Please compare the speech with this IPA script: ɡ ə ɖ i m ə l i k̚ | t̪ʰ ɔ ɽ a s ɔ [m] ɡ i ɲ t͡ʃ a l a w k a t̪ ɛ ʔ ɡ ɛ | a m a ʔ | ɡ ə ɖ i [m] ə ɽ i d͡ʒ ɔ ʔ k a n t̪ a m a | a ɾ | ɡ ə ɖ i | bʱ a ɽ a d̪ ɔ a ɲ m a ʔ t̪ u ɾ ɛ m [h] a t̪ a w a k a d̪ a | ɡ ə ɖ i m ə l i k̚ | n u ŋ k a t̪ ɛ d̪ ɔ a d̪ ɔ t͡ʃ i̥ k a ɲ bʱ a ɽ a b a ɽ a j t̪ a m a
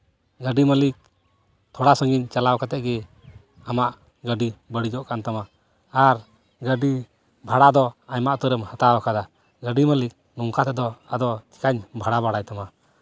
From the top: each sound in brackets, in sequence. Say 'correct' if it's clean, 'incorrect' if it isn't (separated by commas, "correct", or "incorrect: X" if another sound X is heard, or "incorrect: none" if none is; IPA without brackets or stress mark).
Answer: incorrect: ŋ, incorrect: b, correct